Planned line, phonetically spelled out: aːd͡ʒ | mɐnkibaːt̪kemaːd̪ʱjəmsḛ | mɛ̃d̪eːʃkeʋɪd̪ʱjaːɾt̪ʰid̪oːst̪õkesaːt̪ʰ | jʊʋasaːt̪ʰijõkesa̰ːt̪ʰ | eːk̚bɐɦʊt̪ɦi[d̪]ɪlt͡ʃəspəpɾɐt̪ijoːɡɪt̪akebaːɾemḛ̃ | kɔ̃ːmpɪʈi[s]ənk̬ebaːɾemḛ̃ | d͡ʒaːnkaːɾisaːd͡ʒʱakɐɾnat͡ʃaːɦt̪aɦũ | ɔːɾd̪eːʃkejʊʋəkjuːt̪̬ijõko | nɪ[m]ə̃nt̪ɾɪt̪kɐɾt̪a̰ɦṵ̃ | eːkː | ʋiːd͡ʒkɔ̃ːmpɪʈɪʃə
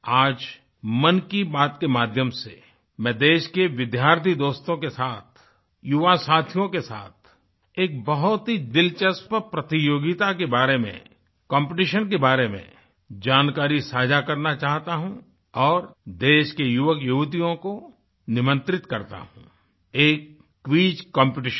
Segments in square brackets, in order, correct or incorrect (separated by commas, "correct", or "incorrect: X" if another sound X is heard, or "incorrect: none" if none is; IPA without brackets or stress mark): correct, incorrect: ʃ, correct